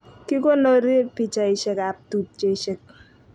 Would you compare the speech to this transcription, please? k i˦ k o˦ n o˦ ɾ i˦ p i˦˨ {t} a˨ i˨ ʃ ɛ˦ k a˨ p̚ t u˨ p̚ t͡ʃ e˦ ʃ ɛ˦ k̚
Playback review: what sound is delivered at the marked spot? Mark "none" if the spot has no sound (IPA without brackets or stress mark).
t͡ʃ